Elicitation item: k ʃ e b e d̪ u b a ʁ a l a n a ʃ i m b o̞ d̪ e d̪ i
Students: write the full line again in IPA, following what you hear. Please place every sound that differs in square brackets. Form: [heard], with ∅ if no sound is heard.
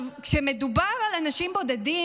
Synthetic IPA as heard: k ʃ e [m] e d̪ u b a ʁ a l a n a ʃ i m b o̞ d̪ [a] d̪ i